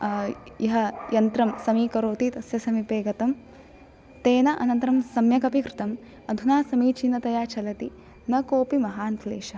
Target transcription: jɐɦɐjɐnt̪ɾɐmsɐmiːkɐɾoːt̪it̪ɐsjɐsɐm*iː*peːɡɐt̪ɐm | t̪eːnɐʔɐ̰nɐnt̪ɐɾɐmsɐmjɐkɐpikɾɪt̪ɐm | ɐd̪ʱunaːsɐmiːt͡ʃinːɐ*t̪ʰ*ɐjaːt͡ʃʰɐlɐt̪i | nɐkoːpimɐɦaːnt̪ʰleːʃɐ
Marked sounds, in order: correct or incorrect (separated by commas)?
incorrect, incorrect